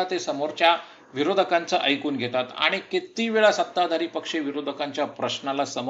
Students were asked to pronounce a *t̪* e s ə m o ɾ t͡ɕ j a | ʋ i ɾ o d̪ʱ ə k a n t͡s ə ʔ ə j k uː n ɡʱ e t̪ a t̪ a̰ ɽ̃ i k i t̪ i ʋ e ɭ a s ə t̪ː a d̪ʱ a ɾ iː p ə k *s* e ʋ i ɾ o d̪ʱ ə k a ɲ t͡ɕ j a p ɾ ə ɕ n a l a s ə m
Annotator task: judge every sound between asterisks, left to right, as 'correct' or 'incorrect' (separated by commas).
correct, incorrect